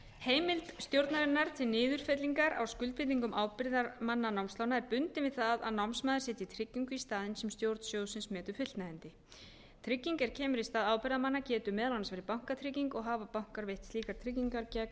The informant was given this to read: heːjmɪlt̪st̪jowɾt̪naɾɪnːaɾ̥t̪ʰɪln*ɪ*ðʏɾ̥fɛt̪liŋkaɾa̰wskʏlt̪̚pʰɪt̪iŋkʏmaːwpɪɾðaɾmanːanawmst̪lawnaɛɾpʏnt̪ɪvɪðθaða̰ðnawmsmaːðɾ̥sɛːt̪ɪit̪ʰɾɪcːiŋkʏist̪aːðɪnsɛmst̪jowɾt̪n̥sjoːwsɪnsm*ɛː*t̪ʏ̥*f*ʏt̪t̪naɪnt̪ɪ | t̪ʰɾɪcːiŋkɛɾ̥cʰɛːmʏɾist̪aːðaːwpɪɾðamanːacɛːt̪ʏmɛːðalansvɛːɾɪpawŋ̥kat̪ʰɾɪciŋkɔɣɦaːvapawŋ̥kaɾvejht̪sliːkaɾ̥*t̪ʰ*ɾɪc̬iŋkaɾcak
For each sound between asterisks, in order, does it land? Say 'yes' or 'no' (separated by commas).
no, yes, yes, yes